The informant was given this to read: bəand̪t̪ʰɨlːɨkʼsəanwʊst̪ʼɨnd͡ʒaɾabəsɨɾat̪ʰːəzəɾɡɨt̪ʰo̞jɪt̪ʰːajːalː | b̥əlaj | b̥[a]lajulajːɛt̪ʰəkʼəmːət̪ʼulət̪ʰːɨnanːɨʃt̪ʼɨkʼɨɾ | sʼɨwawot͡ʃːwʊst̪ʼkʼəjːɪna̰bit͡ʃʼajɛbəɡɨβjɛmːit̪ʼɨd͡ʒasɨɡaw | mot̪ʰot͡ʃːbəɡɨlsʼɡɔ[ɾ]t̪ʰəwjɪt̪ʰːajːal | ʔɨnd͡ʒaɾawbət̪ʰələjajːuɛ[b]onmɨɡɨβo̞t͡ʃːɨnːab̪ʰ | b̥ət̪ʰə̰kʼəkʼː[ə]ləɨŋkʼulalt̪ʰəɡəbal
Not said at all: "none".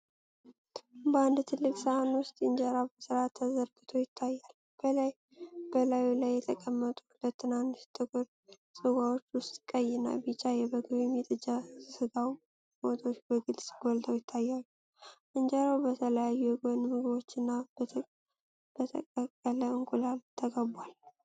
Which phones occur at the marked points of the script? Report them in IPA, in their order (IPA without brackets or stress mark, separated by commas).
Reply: ə, l, ɡ, ə